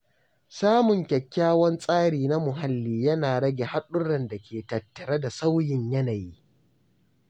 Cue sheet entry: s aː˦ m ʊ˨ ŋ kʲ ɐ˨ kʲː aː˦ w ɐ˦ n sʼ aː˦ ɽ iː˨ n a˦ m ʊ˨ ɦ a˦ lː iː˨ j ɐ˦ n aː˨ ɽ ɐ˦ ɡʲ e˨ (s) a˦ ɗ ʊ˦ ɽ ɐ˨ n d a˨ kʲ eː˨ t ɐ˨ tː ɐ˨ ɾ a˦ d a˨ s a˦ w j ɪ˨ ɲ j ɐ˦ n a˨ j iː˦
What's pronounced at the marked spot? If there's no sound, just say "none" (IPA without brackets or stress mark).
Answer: h